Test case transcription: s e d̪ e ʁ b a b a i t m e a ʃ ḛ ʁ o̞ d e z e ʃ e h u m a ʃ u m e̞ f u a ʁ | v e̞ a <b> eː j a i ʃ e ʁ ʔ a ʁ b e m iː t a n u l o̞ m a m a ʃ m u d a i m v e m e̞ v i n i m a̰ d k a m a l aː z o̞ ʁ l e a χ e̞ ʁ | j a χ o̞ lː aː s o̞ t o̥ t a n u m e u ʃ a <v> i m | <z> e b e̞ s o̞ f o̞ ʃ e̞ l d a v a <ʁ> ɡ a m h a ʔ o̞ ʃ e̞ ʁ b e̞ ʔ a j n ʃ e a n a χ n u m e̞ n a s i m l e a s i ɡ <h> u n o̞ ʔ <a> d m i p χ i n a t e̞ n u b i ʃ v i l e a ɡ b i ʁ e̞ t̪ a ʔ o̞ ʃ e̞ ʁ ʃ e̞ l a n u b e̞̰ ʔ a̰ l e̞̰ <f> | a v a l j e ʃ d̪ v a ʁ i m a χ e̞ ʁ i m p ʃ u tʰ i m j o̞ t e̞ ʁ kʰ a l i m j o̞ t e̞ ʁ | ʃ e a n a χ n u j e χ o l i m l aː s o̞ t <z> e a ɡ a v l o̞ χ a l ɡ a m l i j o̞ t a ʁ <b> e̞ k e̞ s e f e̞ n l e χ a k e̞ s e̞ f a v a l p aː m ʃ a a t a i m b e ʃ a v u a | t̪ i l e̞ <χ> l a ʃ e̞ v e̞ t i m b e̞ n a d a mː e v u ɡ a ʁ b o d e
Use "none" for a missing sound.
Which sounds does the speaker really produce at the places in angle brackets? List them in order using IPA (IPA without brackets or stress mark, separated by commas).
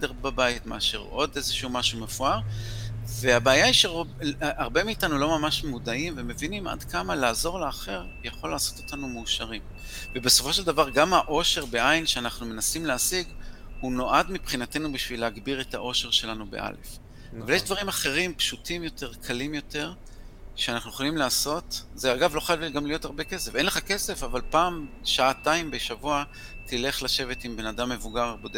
b, ʁ, v, ʁ, h, a, f, z, b, χ